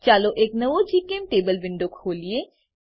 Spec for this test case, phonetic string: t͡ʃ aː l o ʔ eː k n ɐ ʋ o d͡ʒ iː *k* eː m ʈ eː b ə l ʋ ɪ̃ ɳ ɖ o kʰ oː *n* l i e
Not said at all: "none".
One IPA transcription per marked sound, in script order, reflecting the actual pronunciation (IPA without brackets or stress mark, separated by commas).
k, none